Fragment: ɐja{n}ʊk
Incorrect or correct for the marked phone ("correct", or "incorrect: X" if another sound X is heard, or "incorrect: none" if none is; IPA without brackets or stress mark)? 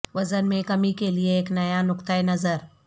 correct